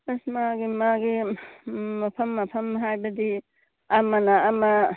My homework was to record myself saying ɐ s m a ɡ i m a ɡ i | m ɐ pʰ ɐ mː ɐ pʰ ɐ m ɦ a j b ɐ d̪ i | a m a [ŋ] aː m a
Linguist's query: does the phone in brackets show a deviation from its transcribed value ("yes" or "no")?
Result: yes